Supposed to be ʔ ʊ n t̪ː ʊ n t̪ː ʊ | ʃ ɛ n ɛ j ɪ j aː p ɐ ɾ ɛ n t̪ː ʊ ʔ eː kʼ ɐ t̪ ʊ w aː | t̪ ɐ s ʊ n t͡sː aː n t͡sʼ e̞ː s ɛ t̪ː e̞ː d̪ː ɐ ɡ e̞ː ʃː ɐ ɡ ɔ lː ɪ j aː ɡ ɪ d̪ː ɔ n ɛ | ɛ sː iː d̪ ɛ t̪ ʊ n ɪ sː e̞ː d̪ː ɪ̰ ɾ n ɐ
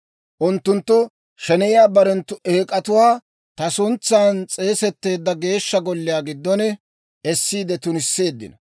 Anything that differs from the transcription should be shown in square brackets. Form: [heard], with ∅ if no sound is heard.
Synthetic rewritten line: ʔ ʊ n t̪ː ʊ n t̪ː ʊ | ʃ ɛ n ɛ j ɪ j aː [b] ɐ ɾ ɛ n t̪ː ʊ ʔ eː kʼ ɐ t̪ ʊ w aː | t̪ ɐ s ʊ n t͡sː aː n t͡sʼ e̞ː s ɛ t̪ː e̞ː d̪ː ɐ ɡ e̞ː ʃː ɐ ɡ ɔ lː ɪ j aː ɡ ɪ d̪ː ɔ n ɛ | ɛ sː iː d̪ ɛ t̪ ʊ n ɪ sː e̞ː d̪ː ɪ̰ [∅] n ɐ

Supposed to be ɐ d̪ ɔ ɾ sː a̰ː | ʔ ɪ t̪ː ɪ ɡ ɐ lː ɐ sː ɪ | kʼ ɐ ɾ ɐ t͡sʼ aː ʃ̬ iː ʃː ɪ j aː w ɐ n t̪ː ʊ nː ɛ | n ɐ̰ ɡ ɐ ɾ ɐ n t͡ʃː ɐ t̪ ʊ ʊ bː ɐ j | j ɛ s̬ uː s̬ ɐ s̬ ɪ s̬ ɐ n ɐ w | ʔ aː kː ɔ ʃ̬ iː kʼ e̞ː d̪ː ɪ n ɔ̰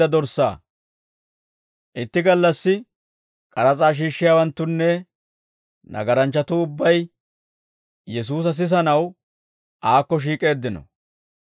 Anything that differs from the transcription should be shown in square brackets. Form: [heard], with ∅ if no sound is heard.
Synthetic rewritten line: ɐ d̪ ɔ ɾ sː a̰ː | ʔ ɪ t̪ː ɪ ɡ ɐ lː ɐ sː ɪ | kʼ ɐ ɾ ɐ t͡sʼ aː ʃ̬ iː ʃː ɪ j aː w ɐ n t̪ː ʊ nː ɛ | n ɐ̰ ɡ ɐ ɾ ɐ n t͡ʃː ɐ t̪ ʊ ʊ bː ɐ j | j ɛ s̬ uː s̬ ɐ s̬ ɪ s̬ ɐ n ɐ w | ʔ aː kː ɔ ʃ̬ iː kʼ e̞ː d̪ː ɪ n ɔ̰

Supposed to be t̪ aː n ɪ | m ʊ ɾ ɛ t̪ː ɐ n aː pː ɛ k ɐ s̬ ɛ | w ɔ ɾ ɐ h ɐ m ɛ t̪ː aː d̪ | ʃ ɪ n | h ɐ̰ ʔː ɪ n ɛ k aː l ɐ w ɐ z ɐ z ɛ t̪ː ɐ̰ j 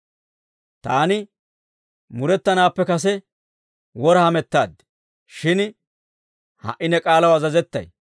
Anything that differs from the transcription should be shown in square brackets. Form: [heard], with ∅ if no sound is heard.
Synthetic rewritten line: t̪ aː n ɪ | m ʊ ɾ ɛ t̪ː ɐ n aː pː ɛ k ɐ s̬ ɛ | w ɔ ɾ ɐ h ɐ m ɛ t̪ː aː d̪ | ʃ ɪ n | h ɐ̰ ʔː ɪ n ɛ [kʼ] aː l ɐ w ɐ z ɐ z ɛ t̪ː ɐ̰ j

